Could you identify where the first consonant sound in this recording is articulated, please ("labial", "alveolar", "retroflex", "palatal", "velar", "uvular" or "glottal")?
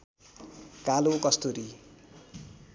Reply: velar